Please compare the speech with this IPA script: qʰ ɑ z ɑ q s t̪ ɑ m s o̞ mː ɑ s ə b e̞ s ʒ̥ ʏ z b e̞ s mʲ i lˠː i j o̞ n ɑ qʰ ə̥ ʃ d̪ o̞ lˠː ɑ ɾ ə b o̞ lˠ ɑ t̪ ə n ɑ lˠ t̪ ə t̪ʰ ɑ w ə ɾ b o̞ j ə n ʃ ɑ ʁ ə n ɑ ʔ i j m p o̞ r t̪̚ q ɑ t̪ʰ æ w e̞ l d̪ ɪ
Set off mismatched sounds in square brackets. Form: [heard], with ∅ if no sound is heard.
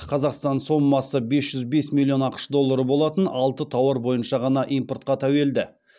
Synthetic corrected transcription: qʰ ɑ z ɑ q s t̪ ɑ [n] s o̞ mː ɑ s ə b e̞ s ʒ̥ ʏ z b e̞ s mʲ i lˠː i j o̞ n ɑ [q] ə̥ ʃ d̪ o̞ lˠː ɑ ɾ ə b o̞ lˠ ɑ t̪ ə n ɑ lˠ t̪ ə t̪ʰ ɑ w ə ɾ b o̞ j ə n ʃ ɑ ʁ [ɑ] n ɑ ʔ i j m p o̞ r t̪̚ q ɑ t̪ʰ æ w e̞ l d̪ ɪ